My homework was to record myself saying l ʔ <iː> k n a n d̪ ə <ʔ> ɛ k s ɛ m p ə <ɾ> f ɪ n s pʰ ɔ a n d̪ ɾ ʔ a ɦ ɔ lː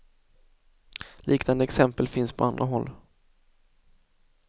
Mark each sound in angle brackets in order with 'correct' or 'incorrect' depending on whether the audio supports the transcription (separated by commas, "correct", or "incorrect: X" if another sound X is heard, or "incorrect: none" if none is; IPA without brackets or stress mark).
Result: correct, incorrect: none, incorrect: l